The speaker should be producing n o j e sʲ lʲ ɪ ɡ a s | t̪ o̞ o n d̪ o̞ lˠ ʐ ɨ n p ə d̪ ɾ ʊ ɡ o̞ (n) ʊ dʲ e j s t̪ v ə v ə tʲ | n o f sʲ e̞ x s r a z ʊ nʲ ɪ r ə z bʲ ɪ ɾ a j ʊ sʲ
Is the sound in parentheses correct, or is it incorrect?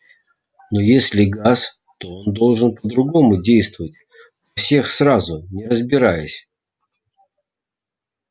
incorrect: m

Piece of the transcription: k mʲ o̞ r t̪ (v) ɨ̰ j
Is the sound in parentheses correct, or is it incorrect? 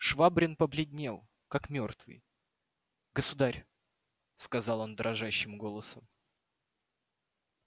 correct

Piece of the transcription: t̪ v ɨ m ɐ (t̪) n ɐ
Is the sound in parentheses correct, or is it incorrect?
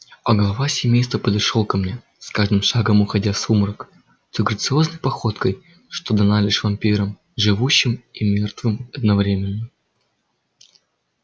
incorrect: d̪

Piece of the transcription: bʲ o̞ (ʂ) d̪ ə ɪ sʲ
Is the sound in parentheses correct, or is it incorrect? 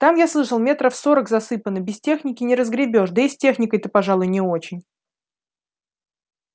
correct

